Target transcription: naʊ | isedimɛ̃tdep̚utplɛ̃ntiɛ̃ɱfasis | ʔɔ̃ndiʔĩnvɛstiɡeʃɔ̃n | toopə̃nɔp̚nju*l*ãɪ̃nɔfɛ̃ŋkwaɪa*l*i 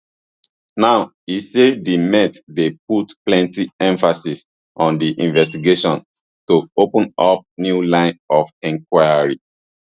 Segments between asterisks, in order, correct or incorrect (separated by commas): correct, incorrect